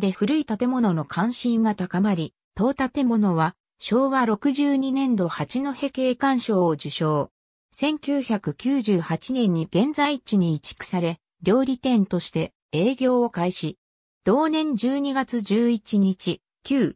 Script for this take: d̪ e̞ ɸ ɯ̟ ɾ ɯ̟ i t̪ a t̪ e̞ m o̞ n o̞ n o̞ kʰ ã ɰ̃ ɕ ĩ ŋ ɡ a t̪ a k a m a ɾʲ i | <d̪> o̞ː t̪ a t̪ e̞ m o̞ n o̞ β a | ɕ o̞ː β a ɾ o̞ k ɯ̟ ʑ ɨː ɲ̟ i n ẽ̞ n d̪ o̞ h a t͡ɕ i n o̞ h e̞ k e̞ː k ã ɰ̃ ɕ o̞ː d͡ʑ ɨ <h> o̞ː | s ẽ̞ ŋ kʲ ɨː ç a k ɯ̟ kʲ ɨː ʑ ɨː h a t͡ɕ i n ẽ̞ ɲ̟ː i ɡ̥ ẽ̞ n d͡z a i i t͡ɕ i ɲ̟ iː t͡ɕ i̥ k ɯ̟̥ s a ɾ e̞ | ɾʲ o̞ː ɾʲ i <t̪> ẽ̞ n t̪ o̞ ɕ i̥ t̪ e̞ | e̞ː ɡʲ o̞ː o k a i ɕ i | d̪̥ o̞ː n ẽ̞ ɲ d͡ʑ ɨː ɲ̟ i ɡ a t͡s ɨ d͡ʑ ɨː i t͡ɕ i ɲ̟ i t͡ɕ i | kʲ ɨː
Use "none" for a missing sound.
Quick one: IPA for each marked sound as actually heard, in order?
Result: t̪, ɕ, t̪

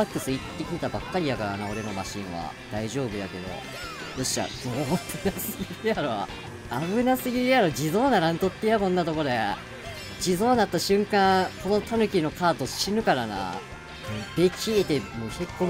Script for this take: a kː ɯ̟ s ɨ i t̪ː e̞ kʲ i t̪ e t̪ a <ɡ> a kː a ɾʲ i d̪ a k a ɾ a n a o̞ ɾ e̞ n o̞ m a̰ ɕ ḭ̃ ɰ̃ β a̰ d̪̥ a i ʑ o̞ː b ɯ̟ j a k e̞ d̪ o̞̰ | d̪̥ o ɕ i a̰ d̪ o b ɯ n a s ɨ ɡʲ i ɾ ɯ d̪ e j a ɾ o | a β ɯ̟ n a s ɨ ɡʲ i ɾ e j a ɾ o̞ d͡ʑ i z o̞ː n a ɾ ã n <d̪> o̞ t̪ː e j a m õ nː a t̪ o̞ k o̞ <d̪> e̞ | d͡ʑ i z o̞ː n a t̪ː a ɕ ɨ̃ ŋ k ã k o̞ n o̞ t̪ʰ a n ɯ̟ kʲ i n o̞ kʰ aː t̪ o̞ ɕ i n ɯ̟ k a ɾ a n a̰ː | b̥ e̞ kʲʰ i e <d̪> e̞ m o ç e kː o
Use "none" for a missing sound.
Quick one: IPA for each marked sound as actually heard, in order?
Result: b, t̪, d̪, t̪

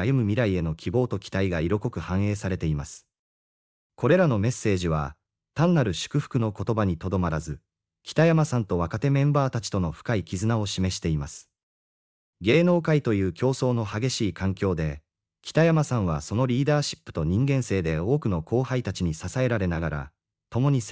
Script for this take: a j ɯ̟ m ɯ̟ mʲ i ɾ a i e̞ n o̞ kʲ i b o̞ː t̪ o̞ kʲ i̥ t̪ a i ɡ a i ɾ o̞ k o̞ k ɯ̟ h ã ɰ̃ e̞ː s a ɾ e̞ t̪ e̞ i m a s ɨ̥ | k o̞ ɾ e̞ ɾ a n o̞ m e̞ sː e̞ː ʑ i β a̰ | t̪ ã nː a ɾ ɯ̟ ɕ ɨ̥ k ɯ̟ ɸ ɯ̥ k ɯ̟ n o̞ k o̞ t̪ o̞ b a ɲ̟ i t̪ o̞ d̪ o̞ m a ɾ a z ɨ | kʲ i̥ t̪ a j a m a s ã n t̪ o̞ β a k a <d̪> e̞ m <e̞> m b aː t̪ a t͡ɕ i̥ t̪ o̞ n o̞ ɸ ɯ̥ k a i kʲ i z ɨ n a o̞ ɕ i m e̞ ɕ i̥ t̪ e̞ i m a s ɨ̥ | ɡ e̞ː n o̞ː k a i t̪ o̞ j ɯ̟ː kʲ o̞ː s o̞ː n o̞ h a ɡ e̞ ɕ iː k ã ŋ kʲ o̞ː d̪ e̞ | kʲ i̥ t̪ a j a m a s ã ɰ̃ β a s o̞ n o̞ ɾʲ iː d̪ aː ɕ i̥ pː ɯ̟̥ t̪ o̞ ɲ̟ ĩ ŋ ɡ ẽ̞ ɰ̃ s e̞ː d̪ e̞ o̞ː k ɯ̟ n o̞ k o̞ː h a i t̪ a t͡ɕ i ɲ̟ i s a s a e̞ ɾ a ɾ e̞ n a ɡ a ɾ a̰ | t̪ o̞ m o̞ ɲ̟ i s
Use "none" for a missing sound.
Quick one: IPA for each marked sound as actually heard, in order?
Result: t̪, ẽ̞

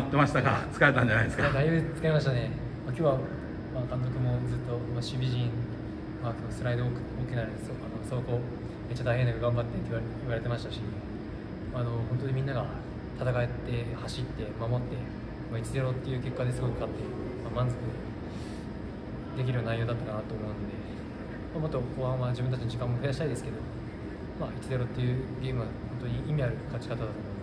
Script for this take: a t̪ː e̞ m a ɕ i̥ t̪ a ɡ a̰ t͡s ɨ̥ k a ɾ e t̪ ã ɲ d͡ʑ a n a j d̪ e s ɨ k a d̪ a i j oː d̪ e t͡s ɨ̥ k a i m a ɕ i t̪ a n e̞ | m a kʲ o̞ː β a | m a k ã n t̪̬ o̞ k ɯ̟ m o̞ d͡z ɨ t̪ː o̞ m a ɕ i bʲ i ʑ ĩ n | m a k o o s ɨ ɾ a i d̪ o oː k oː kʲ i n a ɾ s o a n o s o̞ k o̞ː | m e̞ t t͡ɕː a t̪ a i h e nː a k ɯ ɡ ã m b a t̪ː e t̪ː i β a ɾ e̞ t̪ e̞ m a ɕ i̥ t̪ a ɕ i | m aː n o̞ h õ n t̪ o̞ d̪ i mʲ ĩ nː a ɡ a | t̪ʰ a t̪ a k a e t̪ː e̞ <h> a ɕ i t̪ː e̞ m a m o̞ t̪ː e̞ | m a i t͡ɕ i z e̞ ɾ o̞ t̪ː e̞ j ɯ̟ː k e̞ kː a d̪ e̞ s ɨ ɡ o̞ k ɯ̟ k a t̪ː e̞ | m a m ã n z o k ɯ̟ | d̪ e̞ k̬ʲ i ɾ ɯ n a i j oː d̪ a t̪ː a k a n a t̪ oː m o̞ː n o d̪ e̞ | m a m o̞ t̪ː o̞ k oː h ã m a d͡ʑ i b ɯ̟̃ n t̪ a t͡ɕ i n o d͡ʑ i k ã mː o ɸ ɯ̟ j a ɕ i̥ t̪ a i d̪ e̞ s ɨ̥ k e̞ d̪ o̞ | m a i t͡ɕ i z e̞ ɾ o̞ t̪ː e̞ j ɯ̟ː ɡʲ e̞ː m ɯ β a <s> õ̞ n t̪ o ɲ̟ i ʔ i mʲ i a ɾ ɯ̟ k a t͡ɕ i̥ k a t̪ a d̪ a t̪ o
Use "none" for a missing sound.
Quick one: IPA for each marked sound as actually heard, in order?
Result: h, h

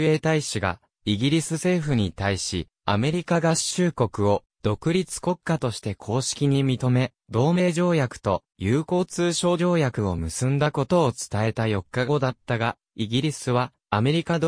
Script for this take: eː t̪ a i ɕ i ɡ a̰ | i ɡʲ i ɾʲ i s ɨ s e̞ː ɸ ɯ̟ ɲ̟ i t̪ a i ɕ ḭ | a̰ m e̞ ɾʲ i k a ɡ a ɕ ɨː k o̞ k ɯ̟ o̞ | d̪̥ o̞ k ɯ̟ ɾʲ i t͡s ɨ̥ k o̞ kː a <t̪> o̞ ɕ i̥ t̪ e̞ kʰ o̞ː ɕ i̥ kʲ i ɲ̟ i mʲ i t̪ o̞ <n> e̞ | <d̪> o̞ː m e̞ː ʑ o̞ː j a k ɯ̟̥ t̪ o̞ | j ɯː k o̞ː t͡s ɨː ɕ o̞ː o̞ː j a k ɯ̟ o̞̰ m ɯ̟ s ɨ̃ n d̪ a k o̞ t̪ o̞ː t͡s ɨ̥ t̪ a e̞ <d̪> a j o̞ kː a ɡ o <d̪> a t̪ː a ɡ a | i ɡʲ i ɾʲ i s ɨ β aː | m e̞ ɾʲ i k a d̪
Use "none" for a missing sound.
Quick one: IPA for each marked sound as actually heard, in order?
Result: t̪, m, d̪, t̪, d̪

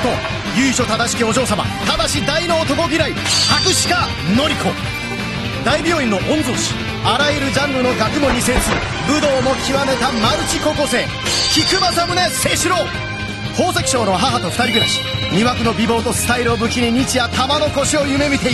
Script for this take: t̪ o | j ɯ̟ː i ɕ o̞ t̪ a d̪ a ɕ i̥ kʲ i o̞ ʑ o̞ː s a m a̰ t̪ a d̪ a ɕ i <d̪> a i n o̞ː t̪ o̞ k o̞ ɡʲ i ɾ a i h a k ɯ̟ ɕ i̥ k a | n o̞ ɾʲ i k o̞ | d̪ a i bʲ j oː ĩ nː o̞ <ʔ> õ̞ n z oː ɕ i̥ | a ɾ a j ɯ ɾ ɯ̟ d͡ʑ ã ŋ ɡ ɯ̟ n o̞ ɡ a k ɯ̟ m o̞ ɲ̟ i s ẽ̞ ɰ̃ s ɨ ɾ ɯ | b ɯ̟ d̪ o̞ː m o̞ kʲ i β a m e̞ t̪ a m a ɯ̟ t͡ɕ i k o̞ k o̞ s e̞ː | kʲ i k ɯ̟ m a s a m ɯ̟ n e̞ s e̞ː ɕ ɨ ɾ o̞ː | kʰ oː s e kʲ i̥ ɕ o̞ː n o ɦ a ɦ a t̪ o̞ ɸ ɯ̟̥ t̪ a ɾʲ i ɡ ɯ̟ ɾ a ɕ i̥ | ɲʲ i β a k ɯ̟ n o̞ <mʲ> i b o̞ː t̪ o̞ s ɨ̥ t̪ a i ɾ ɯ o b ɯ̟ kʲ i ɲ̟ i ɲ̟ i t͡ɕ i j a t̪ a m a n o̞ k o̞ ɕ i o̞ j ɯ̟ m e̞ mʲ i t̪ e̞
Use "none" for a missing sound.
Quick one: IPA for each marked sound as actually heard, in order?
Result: d̪, ʔ, bʲ

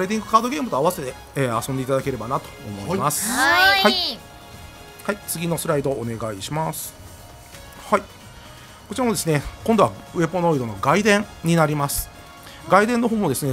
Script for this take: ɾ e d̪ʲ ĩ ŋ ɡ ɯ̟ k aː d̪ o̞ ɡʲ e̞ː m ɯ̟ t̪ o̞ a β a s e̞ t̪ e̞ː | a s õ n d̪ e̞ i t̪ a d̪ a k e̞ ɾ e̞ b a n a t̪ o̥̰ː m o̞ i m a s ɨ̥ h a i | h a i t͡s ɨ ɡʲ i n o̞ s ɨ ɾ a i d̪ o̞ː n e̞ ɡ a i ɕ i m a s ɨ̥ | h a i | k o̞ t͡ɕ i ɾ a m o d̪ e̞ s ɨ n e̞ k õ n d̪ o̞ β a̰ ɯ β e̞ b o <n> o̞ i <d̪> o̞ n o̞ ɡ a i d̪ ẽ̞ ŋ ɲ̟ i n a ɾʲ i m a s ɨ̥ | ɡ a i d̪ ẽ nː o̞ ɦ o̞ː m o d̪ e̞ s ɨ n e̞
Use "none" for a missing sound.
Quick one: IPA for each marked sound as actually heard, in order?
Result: n, d̪

